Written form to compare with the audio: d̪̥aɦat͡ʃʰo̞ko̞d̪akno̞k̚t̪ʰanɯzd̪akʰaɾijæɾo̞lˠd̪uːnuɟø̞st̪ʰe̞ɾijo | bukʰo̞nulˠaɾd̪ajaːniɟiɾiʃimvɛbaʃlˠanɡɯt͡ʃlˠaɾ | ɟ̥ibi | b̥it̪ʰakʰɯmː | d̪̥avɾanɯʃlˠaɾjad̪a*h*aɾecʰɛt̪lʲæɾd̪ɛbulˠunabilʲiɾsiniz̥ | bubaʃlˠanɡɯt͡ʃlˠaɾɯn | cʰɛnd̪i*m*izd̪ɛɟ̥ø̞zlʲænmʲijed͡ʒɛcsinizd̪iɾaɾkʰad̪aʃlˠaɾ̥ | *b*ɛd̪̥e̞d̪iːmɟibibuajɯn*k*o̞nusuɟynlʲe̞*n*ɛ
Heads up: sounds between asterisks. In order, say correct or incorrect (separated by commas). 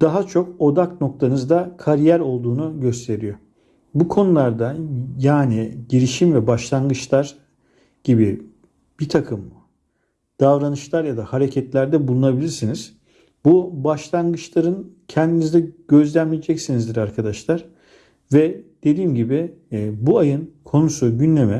correct, incorrect, incorrect, incorrect, incorrect